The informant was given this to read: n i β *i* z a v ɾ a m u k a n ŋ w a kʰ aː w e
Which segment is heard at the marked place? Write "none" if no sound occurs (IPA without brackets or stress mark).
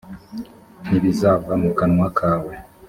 i